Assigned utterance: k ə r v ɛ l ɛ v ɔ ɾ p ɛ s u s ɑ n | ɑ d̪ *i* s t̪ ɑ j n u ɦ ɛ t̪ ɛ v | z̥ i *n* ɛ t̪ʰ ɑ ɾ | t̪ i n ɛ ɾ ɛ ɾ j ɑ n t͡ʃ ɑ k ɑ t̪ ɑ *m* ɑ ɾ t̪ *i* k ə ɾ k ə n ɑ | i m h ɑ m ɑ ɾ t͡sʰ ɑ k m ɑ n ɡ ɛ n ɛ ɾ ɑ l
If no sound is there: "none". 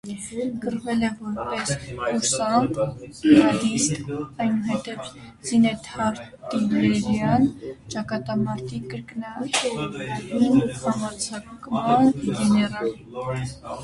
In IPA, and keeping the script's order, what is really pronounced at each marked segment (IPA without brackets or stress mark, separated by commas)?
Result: i, n, m, i